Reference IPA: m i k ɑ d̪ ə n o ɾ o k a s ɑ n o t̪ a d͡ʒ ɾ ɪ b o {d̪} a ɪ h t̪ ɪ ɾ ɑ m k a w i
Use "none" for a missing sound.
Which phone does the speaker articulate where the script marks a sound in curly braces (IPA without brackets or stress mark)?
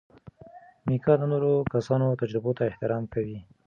t̪